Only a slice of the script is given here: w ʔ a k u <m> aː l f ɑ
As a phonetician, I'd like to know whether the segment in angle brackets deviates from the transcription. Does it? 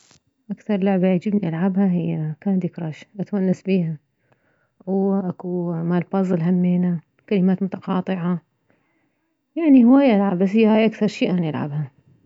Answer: no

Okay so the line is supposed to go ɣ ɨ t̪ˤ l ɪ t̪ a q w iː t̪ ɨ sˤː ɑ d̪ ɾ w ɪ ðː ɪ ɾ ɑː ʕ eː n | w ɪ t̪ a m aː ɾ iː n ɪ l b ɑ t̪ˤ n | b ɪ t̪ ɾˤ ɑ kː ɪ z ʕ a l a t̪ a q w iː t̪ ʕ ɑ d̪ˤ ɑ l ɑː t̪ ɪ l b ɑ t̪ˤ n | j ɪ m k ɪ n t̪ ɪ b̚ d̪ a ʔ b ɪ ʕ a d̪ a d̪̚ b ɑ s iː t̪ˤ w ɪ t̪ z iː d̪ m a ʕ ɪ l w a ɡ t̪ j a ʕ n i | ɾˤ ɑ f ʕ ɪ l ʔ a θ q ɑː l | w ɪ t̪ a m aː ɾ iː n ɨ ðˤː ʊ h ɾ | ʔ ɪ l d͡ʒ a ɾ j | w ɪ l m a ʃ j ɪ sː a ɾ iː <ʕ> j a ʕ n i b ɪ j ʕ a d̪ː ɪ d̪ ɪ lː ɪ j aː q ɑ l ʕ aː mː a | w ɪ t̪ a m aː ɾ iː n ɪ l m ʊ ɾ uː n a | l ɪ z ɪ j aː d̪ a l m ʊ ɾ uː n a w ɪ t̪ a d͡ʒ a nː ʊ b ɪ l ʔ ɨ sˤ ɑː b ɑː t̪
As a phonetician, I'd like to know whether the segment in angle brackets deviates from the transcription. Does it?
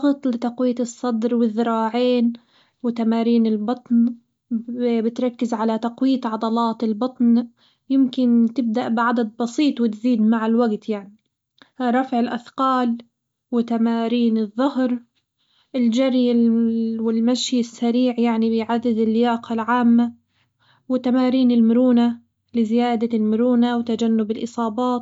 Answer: no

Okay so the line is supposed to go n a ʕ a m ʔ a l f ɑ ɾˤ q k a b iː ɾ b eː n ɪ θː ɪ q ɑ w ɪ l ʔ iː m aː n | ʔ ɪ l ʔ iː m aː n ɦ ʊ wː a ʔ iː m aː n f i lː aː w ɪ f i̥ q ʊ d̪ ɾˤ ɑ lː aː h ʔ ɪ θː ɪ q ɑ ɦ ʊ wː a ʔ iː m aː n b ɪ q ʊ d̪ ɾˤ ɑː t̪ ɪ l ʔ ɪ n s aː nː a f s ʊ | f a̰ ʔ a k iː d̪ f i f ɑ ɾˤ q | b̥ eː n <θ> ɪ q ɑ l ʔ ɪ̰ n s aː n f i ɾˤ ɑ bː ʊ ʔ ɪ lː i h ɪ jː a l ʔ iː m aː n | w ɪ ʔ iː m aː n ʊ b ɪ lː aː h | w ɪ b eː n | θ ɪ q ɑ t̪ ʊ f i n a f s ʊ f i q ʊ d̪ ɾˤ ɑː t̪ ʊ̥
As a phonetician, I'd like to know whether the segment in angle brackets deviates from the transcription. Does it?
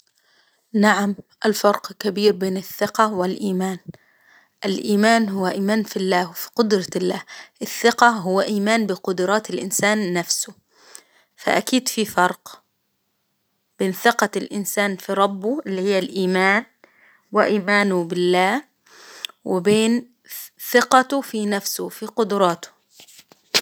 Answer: no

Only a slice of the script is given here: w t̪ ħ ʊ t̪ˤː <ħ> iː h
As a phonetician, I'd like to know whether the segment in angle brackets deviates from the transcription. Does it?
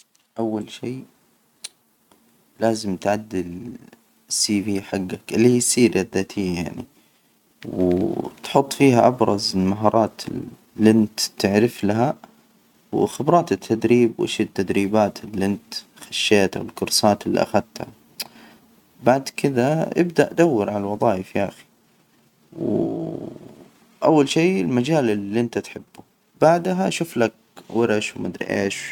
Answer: yes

